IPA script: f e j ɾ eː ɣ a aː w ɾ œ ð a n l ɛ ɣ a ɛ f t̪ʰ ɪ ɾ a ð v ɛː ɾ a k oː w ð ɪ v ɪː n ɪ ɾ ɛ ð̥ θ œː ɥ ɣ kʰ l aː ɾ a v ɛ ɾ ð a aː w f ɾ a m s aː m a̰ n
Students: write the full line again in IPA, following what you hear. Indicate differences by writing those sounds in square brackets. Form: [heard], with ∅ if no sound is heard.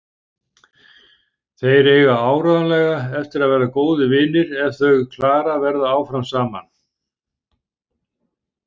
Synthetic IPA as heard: [θ] e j ɾ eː ɣ a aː w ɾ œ ð a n l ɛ ɣ a ɛ f [t̪] ɪ ɾ a ð v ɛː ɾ a k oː w ð ɪ v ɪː n ɪ ɾ ɛ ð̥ θ [œ] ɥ ɣ kʰ l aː ɾ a v ɛ ɾ ð a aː w f ɾ a m s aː m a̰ n